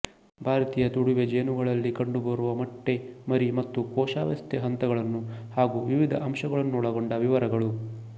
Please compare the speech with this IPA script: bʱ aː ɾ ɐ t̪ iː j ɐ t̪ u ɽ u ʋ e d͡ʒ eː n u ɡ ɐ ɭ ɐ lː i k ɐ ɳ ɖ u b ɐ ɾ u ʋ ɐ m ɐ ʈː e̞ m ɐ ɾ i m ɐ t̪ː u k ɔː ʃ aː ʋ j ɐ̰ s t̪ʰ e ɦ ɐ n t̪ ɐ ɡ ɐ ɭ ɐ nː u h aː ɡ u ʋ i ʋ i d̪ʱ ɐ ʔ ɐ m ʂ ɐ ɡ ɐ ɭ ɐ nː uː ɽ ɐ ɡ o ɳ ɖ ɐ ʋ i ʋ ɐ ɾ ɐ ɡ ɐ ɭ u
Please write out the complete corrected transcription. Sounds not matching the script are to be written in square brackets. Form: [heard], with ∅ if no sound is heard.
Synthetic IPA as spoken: bʱ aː ɾ ɐ t̪ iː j ɐ t̪ u ɽ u ʋ e d͡ʒ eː n u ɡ ɐ ɭ ɐ lː i k ɐ ɳ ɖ u b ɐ ɾ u ʋ ɐ m ɐ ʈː e̞ m ɐ ɾ i m ɐ t̪ː u k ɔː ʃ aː ʋ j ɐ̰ s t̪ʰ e ɦ ɐ n t̪ ɐ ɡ ɐ ɭ ɐ nː u h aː ɡ u ʋ i ʋ i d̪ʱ ɐ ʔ ɐ m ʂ ɐ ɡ ɐ ɭ ɐ nː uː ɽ ɐ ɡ o ɳ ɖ ɐ ʋ i ʋ ɐ ɾ ɐ ɡ ɐ ɭ u